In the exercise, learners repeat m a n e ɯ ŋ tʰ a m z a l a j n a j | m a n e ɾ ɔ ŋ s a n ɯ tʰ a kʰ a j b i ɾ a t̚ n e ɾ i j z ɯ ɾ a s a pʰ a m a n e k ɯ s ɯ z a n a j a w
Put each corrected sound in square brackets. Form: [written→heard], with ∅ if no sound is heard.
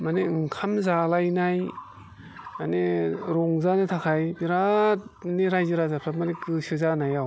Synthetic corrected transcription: m a n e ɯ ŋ [tʰ→kʰ] a m z a l a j n a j | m a n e ɾ ɔ ŋ [s→z] a n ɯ tʰ a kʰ a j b i ɾ a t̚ n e ɾ [i→a] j z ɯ ɾ a [s→z] a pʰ a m a n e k ɯ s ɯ z a n a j a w